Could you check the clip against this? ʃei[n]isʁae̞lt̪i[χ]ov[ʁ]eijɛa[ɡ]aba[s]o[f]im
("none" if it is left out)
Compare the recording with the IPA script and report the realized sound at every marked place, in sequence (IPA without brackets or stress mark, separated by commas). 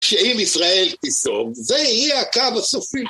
m, s, v, k, s, f